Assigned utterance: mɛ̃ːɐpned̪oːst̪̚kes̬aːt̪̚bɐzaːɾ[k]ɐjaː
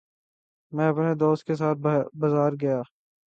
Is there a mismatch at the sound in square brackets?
yes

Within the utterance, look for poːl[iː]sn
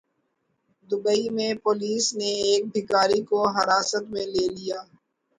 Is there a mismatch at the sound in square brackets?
no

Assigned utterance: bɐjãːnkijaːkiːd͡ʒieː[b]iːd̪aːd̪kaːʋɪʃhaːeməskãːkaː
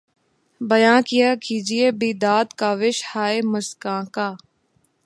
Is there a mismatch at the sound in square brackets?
no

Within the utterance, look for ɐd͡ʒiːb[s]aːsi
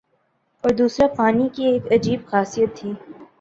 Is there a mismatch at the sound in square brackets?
yes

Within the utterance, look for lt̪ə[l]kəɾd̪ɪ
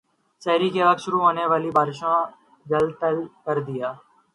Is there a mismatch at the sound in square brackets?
no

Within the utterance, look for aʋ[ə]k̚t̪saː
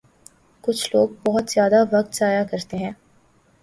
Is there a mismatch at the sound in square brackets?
yes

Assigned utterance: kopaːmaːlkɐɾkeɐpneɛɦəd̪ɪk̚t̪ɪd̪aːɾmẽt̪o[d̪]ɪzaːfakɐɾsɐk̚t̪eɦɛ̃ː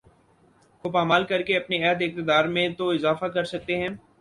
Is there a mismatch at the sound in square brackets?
yes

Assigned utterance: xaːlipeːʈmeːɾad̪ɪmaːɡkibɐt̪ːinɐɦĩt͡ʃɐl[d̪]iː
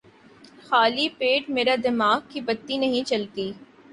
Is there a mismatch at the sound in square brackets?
yes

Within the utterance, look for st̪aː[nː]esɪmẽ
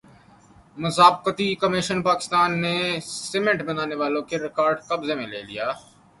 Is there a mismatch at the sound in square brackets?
no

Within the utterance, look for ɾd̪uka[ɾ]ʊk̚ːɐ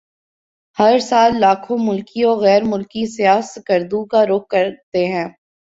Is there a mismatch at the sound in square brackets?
no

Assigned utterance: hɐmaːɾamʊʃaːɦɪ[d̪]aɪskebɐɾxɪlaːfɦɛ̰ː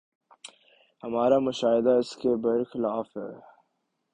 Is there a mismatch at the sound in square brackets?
no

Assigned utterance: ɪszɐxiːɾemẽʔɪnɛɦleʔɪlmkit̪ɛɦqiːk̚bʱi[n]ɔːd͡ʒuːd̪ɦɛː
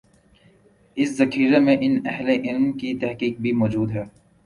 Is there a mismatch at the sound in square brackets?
yes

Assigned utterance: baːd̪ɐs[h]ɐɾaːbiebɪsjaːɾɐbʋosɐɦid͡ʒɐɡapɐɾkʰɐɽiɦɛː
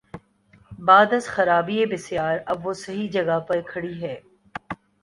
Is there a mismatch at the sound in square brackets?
yes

